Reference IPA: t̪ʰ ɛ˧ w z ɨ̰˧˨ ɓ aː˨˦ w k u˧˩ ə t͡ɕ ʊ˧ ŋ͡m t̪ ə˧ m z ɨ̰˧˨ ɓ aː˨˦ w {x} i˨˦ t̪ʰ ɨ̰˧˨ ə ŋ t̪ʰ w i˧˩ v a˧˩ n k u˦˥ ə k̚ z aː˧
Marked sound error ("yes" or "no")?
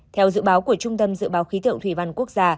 no